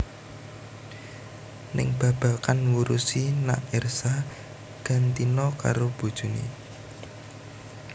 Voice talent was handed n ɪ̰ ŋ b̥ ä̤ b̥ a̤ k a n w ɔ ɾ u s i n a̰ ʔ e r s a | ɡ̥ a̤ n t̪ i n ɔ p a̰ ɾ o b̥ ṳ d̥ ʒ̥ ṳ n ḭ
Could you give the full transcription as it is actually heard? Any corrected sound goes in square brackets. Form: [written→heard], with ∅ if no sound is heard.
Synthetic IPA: n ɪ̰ ŋ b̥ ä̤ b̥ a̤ k a n w [ɔ→u] ɾ u s i n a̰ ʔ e r s a | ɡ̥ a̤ n t̪ i n ɔ [p→k] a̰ ɾ o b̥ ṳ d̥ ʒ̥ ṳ n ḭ